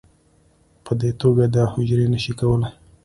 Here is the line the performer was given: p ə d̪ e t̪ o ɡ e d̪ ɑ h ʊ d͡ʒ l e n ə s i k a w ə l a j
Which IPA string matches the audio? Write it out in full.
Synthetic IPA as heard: p ə d̪ e t̪ o ɡ a d̪ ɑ h ʊ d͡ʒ ɾ e n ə ʃ i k a w ə l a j